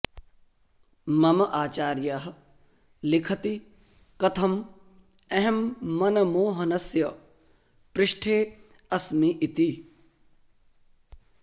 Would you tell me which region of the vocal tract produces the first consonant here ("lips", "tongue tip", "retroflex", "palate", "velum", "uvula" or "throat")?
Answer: lips